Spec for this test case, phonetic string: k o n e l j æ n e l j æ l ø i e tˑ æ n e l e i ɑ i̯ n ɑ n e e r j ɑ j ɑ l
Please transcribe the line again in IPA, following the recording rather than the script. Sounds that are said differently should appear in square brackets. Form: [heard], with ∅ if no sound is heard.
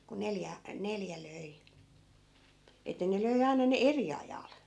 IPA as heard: k [u] n e l j æ n e l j æ l ø i e tˑ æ n e l [ø] i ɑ i̯ n ɑ n e e r [i] ɑ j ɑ l